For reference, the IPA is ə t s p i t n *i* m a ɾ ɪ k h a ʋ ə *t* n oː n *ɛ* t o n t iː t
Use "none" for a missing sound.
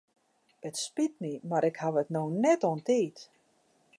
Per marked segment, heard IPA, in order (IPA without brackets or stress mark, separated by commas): i, t, ɛ